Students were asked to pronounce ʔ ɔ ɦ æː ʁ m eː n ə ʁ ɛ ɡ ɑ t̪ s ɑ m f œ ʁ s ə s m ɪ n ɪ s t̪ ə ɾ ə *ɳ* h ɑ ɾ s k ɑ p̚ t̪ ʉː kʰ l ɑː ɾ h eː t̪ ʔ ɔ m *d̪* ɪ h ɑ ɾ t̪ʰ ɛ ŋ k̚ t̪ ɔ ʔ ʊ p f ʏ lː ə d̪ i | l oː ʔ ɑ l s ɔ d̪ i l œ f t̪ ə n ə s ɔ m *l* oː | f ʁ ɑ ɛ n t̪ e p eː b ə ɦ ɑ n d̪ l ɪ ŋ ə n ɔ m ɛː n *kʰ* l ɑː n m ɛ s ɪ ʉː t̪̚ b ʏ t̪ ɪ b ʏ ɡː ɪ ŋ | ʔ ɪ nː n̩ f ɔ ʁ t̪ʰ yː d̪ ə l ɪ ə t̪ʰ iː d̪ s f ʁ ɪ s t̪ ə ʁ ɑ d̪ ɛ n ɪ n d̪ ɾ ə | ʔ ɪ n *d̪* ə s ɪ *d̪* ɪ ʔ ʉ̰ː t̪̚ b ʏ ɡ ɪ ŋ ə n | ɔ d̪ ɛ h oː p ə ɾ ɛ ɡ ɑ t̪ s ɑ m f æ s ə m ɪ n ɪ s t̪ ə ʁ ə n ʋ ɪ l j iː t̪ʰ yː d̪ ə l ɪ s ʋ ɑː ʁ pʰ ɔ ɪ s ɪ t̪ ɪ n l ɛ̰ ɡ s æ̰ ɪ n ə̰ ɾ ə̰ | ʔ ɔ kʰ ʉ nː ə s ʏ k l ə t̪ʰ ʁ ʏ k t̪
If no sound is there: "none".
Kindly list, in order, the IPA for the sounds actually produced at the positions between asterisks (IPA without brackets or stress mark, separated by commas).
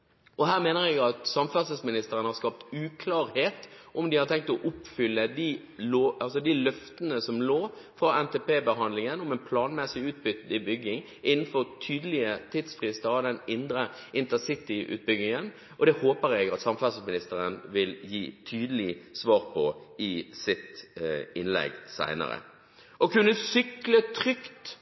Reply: n, d̪, l, pʰ, t̪, t̪